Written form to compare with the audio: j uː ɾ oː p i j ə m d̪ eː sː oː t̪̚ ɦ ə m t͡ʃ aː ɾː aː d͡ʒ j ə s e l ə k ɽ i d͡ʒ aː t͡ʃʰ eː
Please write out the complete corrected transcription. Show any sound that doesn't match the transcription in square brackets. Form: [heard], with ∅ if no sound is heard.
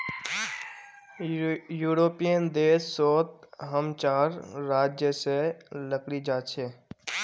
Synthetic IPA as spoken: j uː ɾ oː p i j ə [n] d̪ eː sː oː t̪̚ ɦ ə m t͡ʃ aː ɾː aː d͡ʒ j ə s e l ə k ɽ i d͡ʒ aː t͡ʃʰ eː